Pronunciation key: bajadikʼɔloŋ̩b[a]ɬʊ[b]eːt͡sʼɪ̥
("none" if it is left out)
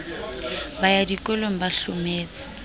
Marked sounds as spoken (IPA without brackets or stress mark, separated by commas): a, m